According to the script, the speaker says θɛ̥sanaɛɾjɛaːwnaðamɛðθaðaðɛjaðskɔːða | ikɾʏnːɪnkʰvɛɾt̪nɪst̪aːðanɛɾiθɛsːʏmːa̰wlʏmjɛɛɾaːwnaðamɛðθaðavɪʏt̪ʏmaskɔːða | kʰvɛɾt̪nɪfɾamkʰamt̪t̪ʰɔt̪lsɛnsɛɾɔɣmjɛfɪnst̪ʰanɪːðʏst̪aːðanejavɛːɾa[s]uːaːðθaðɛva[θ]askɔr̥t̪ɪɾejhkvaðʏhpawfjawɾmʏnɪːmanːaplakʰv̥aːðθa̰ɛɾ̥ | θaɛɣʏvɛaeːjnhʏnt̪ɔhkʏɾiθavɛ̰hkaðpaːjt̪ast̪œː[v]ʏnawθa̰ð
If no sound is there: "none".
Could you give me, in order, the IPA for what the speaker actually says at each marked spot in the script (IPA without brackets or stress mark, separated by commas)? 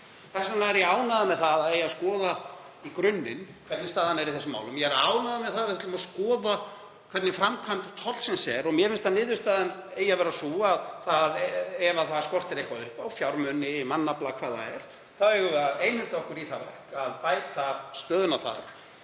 s, θ, ð